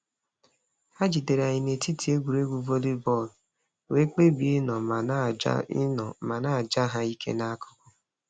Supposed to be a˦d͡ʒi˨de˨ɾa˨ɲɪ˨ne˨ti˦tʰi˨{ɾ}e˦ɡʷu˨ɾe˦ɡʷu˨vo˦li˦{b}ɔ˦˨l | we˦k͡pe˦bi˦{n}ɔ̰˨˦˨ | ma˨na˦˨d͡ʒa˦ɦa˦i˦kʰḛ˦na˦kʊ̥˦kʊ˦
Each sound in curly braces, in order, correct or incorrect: incorrect: none, correct, correct

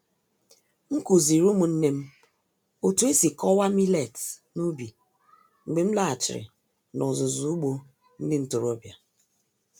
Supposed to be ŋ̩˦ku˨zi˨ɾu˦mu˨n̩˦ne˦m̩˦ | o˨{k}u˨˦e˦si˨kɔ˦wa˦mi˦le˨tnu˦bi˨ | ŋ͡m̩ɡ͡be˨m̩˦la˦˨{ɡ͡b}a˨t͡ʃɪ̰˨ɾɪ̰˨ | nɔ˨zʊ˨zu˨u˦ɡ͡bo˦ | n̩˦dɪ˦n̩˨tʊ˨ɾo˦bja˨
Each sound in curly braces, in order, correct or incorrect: incorrect: t, incorrect: none

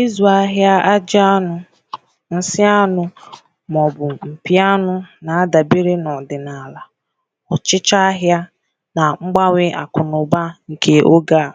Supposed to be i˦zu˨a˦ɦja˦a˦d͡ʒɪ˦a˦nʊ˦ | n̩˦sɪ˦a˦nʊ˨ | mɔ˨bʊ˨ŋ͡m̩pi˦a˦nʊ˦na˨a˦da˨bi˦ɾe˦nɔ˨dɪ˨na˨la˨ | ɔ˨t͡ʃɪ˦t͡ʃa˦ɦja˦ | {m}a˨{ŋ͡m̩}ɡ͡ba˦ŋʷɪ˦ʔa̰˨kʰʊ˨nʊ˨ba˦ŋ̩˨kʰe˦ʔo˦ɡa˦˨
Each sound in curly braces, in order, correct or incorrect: incorrect: n, correct

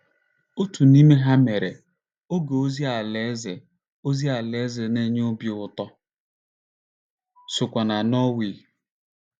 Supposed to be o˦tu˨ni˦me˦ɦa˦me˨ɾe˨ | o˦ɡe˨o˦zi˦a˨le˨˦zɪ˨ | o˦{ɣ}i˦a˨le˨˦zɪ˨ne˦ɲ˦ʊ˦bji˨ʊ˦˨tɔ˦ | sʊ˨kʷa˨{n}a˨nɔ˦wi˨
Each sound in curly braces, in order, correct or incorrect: incorrect: z, correct

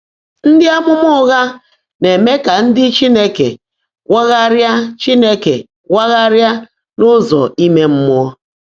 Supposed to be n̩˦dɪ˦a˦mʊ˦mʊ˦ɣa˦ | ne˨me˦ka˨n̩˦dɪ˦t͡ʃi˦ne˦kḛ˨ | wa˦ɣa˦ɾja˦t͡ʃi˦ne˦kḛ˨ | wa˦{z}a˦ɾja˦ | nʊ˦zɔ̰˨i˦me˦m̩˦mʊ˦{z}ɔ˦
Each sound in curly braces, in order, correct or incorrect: incorrect: ɣ, incorrect: none

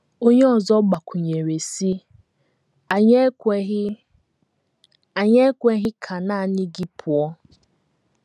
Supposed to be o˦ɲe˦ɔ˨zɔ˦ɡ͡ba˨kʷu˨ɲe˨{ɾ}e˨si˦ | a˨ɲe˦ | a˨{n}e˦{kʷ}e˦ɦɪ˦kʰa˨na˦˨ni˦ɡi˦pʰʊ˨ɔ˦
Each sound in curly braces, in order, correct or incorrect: correct, incorrect: ɲ, correct

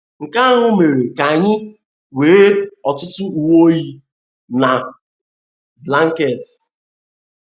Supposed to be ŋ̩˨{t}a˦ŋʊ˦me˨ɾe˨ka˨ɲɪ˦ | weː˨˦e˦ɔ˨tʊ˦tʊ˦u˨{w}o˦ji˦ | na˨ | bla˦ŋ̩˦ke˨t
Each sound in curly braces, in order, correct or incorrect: incorrect: k, correct

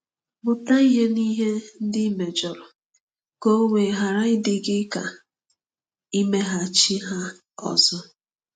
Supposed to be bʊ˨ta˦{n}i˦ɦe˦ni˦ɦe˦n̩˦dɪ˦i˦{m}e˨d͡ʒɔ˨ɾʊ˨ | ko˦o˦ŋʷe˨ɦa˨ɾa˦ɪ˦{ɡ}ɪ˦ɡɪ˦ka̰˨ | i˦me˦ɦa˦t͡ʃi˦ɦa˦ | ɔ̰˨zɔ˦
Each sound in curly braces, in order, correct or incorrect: incorrect: none, correct, incorrect: d

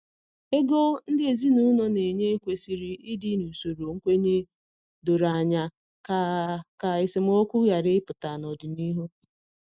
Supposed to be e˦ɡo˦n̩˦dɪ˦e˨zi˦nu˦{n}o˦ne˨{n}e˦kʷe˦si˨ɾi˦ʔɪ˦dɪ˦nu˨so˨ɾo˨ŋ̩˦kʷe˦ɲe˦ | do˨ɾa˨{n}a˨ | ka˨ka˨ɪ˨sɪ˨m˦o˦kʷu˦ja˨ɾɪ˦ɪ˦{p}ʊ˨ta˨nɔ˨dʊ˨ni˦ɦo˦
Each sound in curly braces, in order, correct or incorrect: correct, incorrect: ɲ, incorrect: ɲ, correct

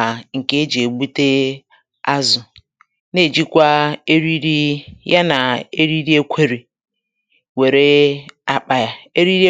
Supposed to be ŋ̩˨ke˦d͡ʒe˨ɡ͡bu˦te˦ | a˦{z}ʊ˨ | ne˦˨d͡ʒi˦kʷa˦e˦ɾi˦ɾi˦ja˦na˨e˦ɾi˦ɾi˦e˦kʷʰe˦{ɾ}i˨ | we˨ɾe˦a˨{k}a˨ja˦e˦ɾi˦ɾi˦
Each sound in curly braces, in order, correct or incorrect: correct, correct, incorrect: k͡p

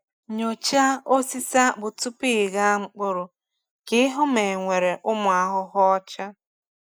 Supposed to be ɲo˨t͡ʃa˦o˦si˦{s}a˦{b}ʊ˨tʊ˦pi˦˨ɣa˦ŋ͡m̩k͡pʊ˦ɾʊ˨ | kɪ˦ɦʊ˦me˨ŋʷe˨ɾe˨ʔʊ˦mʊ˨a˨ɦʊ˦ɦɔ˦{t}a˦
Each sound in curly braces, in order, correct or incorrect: correct, correct, incorrect: t͡ʃ

